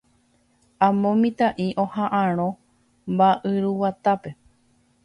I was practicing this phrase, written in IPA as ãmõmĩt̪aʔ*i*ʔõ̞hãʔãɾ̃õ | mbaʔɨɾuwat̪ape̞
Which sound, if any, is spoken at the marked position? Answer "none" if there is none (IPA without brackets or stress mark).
i